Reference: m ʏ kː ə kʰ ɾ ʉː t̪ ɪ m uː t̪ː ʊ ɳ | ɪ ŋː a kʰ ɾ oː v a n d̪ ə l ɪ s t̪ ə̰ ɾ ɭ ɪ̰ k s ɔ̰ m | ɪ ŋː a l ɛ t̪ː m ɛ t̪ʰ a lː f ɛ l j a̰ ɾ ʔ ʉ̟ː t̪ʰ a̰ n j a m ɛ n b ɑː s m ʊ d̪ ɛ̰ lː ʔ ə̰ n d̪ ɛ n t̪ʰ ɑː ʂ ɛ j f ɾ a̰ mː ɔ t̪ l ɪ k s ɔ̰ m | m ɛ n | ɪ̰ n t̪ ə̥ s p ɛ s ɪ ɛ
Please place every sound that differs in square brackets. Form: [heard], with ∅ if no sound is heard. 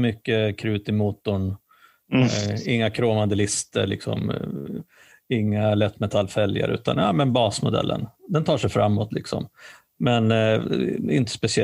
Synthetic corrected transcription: m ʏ kː ə kʰ ɾ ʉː t̪ ɪ m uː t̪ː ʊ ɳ | ɪ ŋː a kʰ ɾ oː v a n d̪ ə l ɪ s t̪ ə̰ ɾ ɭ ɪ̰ k s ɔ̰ m | ɪ ŋː a l ɛ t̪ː m ɛ t̪ʰ a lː f ɛ l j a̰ ɾ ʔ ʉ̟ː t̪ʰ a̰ n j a m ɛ n b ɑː s m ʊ d̪ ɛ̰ lː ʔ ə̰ n d̪ ɛ n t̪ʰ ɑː ʂ ɛ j f ɾ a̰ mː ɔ t̪ l ɪ k s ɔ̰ m | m ɛ n | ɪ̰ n t̪ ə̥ s p ɛ s ɪ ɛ